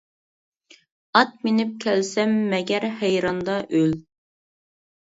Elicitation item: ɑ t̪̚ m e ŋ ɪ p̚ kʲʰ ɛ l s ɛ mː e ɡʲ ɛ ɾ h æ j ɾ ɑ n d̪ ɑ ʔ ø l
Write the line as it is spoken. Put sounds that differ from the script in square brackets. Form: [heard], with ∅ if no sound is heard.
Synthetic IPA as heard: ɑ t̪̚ m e [n] ɪ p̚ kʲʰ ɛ l s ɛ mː [ɛ] ɡʲ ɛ ɾ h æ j ɾ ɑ n d̪ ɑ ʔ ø l